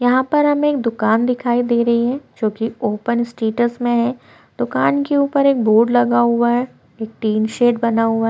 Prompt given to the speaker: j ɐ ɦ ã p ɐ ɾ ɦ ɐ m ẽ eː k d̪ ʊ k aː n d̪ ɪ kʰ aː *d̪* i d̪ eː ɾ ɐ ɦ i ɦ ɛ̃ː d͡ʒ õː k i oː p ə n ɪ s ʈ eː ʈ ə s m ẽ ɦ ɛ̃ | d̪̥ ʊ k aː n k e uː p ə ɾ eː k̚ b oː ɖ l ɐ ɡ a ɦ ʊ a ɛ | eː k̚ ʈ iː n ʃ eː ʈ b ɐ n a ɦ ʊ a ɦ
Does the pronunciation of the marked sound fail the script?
yes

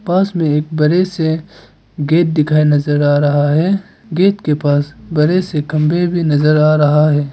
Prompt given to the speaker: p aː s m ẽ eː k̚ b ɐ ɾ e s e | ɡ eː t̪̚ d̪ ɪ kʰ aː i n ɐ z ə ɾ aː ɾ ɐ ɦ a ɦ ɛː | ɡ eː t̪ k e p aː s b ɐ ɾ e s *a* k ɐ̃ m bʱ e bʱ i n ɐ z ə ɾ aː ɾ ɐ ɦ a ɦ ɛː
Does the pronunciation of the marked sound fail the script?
yes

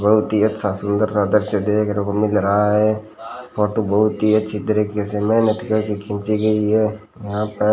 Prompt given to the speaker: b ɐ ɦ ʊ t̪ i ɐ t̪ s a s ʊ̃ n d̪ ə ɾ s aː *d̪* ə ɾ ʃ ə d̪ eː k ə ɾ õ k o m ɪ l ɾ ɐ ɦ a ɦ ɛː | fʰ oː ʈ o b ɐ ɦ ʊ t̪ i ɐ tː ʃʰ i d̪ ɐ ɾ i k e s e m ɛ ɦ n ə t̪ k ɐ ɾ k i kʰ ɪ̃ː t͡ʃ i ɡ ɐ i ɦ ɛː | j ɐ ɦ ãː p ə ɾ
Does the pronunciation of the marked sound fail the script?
no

